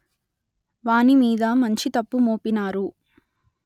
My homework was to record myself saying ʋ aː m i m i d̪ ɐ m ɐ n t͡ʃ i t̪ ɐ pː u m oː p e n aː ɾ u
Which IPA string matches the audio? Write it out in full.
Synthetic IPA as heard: ʋ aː n i m iː d̪ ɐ m ɐ ɲ t͡ʃ i t̪ ɐ pː u m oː p i n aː ɾ u